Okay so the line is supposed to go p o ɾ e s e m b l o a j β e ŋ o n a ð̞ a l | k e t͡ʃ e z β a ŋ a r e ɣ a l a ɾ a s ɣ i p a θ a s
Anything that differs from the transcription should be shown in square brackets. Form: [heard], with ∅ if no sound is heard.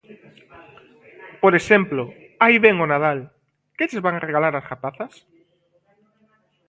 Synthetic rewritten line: p o ɾ e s e m [p] l o a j β e ŋ o n a ð̞ a l | k e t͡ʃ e z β a ŋ a r e ɣ a l a ɾ a s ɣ [a] p a θ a s